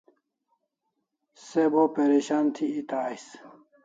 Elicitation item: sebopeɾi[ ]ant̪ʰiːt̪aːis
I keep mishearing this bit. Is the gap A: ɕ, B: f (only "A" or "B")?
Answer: A